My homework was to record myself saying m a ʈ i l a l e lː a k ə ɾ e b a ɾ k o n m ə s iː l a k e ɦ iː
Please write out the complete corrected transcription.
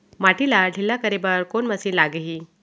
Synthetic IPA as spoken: m a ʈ i l a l i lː a k ə ɾ e b ə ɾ k o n m ə s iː l a ɡ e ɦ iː